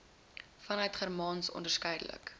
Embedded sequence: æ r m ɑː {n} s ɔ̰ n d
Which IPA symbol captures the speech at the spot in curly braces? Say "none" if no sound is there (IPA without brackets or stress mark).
n